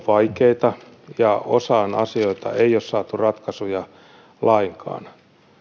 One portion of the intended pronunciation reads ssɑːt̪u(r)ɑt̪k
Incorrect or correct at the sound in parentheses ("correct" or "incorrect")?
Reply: correct